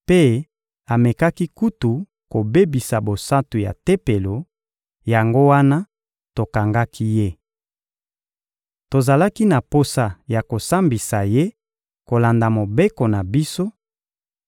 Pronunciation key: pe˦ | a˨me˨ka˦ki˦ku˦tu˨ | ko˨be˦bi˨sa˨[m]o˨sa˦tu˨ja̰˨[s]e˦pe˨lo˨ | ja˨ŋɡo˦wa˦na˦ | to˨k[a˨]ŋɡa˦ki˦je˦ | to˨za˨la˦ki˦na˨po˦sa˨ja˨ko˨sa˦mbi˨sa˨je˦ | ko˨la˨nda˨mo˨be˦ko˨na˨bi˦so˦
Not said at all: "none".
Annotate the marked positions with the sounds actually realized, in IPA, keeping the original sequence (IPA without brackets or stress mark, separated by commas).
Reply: b, t, a˨